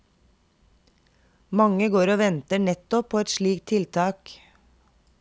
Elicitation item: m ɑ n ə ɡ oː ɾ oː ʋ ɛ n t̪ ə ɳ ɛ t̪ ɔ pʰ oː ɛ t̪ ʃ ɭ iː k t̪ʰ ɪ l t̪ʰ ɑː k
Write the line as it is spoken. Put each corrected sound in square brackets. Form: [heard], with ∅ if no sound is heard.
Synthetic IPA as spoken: m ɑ [ŋ] ə ɡ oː ɾ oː ʋ ɛ n t̪ ə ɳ ɛ t̪ ɔ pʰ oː ɛ t̪ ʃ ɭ iː k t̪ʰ ɪ l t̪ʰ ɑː k